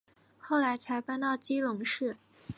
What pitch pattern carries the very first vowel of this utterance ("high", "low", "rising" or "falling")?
falling